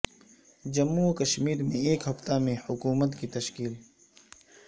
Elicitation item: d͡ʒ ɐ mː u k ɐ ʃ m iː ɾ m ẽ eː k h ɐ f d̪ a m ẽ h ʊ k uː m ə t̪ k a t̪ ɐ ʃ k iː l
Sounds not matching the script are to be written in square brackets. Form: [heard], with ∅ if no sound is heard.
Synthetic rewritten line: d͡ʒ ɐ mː u k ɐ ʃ m iː ɾ m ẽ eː k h ɐ f [t̪] a m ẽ h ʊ k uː m ə t̪ k [i] t̪ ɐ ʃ k iː l